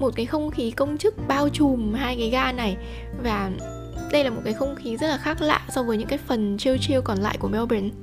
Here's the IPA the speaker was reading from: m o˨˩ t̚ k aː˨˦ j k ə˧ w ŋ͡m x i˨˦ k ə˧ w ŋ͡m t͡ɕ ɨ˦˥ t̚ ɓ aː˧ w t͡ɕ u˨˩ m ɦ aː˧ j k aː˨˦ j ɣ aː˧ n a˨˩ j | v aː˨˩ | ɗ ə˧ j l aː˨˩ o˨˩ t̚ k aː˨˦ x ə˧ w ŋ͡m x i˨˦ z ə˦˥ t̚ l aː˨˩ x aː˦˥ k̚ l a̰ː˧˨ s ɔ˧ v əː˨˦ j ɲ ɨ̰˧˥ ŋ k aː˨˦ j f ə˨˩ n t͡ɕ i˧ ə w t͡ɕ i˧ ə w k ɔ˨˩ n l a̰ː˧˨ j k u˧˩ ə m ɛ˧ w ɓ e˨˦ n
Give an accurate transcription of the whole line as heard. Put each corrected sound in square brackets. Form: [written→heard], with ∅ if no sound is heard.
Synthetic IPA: m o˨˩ t̚ k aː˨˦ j [k→x] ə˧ w ŋ͡m x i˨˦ k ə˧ w ŋ͡m t͡ɕ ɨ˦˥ [t̚→k̚] ɓ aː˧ w t͡ɕ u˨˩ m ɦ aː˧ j k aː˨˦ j ɣ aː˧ n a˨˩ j | v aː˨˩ | ɗ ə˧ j l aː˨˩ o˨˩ t̚ k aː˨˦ x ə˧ w ŋ͡m x i˨˦ z ə˦˥ t̚ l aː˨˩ x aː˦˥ k̚ l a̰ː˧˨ s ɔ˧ v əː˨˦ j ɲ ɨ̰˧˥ ŋ k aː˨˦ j f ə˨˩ n t͡ɕ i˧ ə w t͡ɕ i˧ ə w k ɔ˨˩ n l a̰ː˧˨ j k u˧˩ ə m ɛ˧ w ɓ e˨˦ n